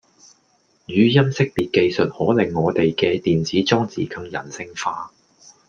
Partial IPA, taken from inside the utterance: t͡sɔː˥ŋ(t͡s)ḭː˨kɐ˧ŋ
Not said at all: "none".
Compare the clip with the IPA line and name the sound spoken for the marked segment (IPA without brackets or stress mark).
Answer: t͡s